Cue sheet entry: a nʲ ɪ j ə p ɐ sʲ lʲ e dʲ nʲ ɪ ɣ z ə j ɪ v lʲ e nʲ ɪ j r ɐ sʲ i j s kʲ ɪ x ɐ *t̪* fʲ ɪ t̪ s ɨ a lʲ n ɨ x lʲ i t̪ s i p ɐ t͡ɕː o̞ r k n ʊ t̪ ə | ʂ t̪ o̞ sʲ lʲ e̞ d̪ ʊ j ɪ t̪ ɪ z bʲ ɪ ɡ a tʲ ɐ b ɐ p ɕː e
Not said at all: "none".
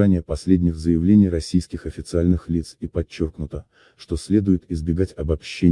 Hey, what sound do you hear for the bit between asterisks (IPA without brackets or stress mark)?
none